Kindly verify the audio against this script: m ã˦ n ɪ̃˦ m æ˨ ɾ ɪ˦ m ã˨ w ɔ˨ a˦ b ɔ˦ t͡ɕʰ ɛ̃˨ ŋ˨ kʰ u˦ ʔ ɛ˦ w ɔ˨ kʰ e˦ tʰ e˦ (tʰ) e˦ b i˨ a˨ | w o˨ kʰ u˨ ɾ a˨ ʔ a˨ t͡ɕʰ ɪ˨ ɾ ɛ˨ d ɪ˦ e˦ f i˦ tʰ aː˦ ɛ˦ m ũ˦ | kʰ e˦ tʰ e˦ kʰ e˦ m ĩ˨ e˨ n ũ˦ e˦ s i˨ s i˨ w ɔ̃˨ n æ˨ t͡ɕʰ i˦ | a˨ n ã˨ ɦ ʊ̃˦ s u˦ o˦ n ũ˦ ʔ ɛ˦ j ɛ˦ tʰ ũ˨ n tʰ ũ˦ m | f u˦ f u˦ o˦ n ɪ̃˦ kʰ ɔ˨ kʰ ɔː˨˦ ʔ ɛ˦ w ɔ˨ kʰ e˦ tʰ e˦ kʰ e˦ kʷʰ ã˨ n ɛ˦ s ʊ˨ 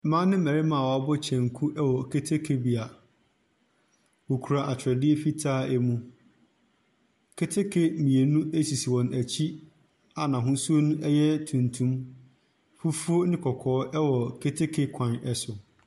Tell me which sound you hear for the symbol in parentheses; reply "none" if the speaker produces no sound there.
kʰ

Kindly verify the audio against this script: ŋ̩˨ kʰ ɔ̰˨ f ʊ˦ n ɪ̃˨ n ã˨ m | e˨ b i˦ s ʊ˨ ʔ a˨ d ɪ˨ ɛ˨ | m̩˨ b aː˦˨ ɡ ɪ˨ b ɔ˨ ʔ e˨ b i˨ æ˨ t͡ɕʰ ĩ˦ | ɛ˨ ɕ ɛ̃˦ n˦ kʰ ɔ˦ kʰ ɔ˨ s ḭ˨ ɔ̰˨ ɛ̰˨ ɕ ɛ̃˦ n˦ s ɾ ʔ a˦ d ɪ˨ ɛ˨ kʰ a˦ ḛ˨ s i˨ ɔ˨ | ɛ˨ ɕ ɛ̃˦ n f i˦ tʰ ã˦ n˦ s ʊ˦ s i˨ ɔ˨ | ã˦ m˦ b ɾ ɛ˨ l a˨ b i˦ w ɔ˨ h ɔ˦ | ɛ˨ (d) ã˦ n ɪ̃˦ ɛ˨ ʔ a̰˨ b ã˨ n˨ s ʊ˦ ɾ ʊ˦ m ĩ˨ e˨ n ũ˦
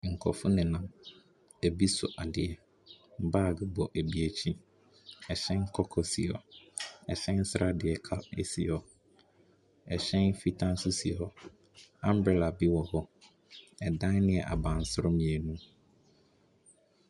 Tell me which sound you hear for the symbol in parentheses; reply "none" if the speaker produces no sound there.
d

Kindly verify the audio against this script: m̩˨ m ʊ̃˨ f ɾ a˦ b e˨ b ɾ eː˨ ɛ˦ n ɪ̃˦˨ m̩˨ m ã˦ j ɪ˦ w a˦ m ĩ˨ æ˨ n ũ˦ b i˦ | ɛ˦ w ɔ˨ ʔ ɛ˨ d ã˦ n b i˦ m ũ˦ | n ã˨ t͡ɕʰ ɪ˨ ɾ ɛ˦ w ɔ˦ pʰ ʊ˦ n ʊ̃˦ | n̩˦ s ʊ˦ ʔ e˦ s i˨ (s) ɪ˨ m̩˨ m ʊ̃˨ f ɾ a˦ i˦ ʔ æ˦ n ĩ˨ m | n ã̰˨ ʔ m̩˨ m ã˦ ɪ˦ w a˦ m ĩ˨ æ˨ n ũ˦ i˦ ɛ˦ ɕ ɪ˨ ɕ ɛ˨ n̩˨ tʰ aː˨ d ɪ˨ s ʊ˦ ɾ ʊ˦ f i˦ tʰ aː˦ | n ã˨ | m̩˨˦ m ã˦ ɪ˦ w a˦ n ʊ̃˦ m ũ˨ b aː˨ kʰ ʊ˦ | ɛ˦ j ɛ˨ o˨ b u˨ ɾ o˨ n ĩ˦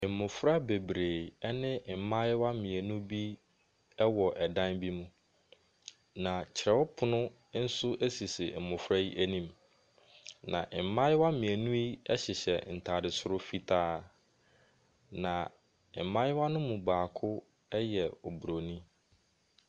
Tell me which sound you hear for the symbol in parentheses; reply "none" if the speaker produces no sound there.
s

